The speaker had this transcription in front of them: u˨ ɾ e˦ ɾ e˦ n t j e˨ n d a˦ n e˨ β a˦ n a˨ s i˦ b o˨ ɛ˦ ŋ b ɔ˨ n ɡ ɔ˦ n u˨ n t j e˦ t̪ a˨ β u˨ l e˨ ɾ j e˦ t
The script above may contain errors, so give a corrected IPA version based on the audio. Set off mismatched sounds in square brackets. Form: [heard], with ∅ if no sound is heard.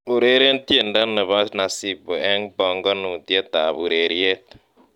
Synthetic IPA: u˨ ɾ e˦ ɾ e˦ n t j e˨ n d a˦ n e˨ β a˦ n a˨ s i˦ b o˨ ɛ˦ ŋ b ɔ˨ [ŋ] ɡ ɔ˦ n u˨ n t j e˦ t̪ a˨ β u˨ [ɾ] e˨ ɾ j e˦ t